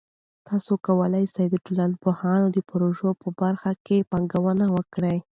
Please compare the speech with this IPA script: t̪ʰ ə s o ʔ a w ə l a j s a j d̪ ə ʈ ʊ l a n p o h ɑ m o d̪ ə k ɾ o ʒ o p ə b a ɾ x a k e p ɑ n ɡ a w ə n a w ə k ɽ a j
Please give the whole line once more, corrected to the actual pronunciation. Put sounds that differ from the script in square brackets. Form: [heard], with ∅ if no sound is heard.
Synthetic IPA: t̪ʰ [ɑ] s o [k] a w ə l a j s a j d̪ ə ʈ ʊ l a n p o h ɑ [n] o d̪ ə [p] ɾ o ʒ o p ə b a ɾ x a k e p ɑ [ŋ] ɡ a w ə n a w ə k ɽ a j